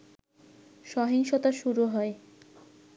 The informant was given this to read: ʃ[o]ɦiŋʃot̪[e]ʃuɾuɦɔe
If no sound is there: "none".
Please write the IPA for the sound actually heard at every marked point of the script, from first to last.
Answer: ɔ, a

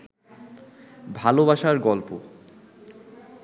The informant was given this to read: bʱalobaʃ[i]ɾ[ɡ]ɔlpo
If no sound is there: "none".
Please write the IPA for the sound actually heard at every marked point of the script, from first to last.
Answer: a, ɡ

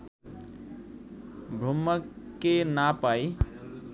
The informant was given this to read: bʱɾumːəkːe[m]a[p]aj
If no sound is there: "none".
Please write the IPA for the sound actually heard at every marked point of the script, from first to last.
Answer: n, p

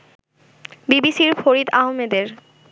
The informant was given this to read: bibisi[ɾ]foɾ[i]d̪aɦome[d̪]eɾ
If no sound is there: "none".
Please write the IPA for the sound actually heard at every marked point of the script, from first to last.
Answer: ɾ, i, d̪

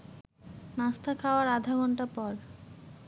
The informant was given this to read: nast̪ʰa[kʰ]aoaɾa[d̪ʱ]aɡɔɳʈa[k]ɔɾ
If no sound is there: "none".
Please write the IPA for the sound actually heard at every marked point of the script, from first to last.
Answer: kʰ, d̪ʱ, p

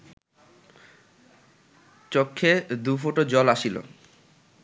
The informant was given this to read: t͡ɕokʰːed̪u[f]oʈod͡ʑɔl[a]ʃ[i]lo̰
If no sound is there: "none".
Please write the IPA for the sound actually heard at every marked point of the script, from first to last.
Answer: f, a, i

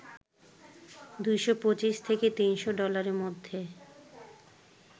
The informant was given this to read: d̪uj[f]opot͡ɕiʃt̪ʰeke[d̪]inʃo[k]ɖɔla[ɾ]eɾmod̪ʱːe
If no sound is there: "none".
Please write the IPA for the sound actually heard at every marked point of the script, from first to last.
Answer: ʃ, t̪, none, ɾ

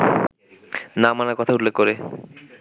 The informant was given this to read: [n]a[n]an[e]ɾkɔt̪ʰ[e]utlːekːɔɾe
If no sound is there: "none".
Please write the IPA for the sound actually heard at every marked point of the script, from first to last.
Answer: n, m, a, a

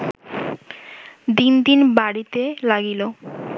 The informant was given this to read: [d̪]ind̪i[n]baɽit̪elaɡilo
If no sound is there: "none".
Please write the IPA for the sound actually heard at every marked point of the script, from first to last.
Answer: d̪, n

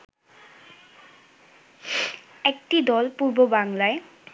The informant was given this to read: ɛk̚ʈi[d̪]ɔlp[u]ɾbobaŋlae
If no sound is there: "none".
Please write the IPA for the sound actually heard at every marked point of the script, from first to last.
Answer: d̪, u

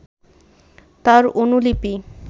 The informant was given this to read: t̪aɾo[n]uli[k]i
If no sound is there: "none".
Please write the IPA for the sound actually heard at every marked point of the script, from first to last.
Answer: n, p

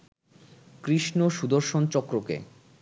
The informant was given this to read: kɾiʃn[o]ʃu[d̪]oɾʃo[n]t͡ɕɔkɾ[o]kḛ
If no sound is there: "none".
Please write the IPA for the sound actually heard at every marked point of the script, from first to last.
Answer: o, d̪, n, o

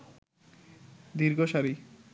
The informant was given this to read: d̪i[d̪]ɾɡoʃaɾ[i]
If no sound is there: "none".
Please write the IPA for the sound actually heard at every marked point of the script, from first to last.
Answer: none, i

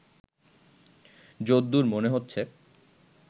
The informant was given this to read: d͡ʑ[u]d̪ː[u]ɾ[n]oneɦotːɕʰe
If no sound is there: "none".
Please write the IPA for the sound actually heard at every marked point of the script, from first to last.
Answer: o, u, m

